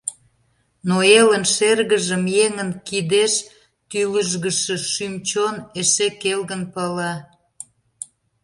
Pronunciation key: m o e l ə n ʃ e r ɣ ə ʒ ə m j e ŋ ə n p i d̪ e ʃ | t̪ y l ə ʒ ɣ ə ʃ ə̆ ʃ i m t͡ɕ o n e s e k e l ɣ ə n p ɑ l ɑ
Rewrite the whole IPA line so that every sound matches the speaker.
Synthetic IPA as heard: n o e l ə n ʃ e r ɣ ə ʒ ə m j e ŋ ə n k i d̪ e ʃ | t̪ y l ə ʒ ɣ ə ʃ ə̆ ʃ y m t͡ɕ o n e ʃ e k e l ɣ ə n p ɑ l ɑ